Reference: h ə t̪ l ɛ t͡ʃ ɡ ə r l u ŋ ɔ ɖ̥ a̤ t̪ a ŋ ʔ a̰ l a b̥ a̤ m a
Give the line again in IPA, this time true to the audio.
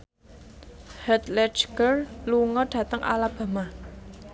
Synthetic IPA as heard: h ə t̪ l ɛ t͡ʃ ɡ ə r l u ŋ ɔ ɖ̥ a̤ t̪ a ŋ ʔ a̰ l a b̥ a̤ m a